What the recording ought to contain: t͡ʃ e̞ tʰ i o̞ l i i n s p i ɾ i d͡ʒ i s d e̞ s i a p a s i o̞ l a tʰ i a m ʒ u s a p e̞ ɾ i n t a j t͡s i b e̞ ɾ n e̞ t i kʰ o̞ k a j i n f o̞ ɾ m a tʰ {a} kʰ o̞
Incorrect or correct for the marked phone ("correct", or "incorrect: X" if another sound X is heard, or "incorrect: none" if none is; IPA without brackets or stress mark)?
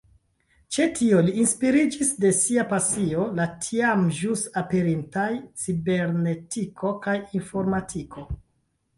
incorrect: i